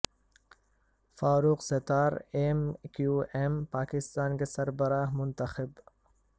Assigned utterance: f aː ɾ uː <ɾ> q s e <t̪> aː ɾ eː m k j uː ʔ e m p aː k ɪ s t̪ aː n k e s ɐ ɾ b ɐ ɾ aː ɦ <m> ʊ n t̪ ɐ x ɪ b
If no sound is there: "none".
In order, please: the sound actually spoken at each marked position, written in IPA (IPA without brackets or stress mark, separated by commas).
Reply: none, t̪, m